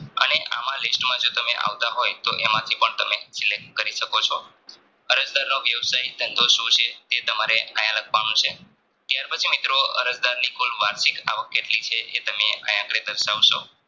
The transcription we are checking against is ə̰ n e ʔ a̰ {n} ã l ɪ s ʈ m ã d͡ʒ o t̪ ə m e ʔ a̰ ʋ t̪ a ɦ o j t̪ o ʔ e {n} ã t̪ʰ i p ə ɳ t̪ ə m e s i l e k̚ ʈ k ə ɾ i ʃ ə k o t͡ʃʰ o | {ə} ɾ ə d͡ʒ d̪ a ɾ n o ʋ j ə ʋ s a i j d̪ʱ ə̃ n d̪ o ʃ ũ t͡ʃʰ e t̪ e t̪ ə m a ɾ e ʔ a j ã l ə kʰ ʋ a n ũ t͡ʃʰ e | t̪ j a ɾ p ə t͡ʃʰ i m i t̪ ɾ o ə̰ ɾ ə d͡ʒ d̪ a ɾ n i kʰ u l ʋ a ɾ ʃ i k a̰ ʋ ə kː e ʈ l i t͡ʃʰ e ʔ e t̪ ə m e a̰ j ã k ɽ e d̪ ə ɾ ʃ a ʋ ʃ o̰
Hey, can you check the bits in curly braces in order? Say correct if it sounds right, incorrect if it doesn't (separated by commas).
incorrect, incorrect, correct